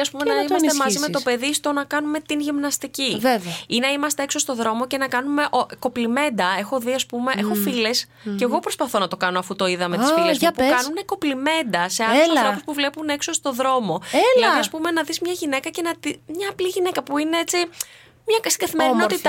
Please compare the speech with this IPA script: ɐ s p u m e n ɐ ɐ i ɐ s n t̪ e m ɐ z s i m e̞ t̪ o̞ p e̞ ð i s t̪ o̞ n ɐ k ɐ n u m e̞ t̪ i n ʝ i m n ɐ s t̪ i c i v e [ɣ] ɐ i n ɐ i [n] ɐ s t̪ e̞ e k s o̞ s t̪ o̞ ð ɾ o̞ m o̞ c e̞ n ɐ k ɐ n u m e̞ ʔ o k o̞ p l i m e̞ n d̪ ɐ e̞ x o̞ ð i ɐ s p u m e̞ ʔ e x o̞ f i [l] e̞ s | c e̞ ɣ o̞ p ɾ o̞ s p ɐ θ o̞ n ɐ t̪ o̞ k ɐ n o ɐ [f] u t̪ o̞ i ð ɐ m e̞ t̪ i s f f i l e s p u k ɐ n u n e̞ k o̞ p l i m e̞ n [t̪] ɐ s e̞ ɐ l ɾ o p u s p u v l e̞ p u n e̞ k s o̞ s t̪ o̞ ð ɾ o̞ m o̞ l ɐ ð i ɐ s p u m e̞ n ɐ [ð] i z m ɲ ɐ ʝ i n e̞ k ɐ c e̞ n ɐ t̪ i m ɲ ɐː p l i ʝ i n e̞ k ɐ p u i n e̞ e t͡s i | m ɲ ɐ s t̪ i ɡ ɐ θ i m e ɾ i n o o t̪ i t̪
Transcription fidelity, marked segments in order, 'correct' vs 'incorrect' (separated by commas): incorrect, incorrect, correct, correct, incorrect, correct